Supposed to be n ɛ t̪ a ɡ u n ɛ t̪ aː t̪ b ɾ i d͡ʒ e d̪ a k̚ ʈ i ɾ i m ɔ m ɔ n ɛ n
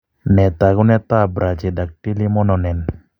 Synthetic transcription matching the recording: n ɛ t̪ a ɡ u n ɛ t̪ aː b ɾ a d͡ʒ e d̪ a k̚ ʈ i l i m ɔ n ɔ n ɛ n